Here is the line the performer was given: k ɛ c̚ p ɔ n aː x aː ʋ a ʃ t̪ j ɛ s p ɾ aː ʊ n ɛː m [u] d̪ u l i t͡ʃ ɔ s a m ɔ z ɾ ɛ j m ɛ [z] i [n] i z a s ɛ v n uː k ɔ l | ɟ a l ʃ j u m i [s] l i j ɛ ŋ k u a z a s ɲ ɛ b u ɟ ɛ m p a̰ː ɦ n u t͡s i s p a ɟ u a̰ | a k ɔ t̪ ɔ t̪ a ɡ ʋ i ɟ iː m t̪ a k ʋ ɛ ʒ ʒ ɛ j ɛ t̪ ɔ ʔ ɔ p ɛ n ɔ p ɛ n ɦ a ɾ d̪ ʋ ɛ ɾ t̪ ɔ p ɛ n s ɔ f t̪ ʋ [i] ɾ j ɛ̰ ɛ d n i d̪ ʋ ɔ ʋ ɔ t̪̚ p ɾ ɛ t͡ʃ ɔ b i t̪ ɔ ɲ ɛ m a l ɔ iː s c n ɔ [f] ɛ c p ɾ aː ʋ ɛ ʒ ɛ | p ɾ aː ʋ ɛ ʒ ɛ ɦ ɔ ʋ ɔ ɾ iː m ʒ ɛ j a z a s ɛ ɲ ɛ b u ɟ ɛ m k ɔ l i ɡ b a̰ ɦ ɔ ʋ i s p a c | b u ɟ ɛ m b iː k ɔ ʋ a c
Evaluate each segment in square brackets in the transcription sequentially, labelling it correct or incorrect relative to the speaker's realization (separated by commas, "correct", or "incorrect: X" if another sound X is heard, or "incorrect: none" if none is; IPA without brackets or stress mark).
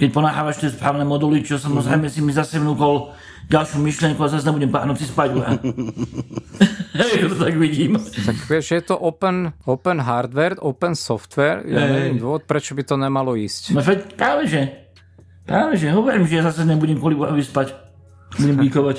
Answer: incorrect: ɔ, incorrect: s, incorrect: m, incorrect: ʃ, incorrect: ɛ, correct